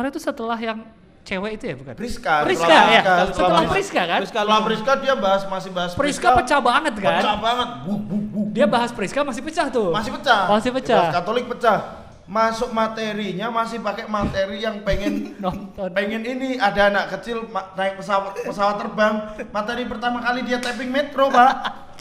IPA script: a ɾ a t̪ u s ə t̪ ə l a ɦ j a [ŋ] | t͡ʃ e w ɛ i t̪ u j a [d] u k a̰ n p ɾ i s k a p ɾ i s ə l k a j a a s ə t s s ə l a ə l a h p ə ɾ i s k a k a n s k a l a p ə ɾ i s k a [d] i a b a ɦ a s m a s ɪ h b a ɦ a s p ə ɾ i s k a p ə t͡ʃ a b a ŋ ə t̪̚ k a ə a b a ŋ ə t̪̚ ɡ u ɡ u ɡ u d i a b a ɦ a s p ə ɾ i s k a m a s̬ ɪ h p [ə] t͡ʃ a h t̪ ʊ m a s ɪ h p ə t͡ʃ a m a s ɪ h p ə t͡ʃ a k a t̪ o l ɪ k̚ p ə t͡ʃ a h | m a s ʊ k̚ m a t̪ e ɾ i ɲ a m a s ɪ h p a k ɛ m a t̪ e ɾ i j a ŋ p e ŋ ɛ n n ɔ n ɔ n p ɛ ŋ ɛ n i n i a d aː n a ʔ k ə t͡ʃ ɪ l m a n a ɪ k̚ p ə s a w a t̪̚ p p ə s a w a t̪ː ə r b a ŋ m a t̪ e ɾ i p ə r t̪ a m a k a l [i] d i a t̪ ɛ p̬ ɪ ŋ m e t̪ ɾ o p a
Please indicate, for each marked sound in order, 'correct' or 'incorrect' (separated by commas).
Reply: correct, incorrect, correct, correct, correct